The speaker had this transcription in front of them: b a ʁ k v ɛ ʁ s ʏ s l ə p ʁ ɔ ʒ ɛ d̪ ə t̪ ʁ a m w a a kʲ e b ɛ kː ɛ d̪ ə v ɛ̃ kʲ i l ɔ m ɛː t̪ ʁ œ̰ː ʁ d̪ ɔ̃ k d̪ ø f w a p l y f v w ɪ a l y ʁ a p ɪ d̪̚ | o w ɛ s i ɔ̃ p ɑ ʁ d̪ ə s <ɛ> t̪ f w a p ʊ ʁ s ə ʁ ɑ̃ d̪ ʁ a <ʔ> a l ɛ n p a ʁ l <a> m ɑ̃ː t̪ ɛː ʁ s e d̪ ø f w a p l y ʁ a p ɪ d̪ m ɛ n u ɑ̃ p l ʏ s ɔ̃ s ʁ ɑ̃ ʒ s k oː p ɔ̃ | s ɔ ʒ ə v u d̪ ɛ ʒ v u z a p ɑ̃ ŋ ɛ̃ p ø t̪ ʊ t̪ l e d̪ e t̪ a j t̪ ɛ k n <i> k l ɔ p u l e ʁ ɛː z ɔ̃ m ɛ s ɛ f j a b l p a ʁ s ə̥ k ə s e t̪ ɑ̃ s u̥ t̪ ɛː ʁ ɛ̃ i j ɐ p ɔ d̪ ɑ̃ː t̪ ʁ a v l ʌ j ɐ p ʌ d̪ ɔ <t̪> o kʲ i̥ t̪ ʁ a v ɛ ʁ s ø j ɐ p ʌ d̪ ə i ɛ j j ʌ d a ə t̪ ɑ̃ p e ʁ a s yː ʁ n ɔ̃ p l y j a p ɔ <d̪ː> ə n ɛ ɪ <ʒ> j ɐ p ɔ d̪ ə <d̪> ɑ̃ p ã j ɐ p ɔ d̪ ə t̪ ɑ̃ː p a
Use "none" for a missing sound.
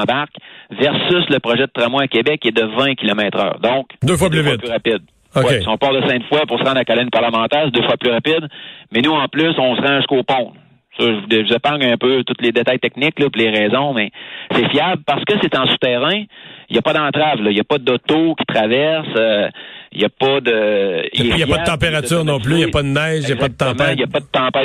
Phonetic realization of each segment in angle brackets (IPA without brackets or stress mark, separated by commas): ɛ̃, k, ə, ɪ, t̪, d̪, ʒ, t̪